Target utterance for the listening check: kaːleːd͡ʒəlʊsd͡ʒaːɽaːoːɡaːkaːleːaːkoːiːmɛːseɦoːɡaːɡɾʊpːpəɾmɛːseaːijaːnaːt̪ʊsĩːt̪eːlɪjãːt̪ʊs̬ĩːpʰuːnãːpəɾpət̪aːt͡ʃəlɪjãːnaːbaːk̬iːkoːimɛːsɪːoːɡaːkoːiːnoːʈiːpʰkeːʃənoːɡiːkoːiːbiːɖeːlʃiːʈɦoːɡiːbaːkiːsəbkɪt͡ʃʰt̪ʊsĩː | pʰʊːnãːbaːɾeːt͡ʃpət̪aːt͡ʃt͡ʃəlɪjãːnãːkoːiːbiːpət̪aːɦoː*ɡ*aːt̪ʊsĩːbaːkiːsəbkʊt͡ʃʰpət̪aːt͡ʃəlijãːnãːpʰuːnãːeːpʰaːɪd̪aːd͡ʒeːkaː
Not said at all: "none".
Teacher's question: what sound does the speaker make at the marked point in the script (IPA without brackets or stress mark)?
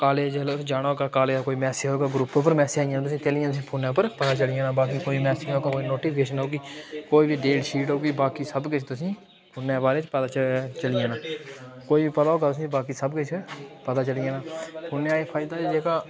ɡ